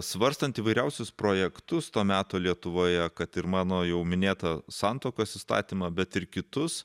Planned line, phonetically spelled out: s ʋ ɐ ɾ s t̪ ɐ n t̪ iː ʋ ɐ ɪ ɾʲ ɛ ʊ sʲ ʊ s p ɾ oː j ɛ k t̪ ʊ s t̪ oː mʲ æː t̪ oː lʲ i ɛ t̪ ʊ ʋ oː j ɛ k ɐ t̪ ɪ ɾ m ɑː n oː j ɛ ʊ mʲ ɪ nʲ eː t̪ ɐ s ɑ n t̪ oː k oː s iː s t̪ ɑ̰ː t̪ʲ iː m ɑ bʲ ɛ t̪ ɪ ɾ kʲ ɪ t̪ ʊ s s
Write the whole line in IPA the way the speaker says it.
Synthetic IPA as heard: s ʋ ɐ ɾ s t̪ ɐ n t̪ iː ʋ ɐ ɪ ɾʲ ɛ ʊ sʲ ʊ s p ɾ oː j ɛ k t̪ ʊ s t̪ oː mʲ æː t̪ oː lʲ i ɛ t̪ ʊ ʋ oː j ɛ k ɐ t̪ ɪ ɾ m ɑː n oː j ɛ ʊ mʲ ɪ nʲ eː t̪ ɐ s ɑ n t̪ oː k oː s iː s t̪ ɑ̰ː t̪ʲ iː m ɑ bʲ ɛ t̪ ɪ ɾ kʲ ɪ t̪ ʊ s s